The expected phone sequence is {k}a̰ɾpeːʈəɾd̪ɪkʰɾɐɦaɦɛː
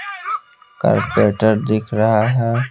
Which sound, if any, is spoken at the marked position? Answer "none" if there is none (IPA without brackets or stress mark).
k